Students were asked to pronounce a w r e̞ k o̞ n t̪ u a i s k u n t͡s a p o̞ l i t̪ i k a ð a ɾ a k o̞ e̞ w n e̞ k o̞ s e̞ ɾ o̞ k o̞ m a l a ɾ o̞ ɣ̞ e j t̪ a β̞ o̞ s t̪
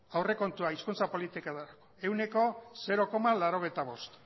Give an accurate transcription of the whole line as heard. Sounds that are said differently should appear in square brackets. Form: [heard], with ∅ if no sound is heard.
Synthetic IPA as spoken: a w r e̞ k o̞ n t̪ u a i s k u n t͡s a p o̞ l i t̪ i k a ð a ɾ a k o̞ e̞ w n e̞ k o̞ s e̞ ɾ o̞ k o̞ m a l a ɾ o̞ ɣ̞ e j t̪ a β̞ o̞ s t̪